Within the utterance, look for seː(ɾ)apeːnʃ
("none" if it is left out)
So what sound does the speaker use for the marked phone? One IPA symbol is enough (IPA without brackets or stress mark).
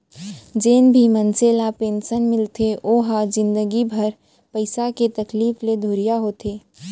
l